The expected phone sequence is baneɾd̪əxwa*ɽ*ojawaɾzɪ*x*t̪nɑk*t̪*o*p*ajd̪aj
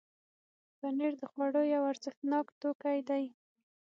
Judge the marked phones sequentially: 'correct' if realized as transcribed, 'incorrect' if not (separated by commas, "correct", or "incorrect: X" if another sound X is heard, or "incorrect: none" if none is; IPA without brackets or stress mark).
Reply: correct, correct, correct, incorrect: k